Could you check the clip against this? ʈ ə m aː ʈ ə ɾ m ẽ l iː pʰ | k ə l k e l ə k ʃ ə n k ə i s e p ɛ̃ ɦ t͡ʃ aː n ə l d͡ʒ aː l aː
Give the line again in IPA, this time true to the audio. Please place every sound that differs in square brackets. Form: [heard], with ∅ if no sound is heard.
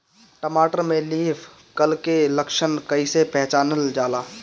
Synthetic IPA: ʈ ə m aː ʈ ə ɾ m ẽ l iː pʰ | k ə l k e l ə k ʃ ə n k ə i s e p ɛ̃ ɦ t͡ʃ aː n ə l d͡ʒ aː l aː